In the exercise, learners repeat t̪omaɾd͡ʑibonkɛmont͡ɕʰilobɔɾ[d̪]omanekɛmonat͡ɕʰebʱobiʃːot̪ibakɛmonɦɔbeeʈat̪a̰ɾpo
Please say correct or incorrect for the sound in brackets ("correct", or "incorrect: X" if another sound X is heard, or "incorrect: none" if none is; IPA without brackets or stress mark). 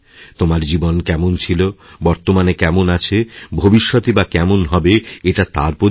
incorrect: t̪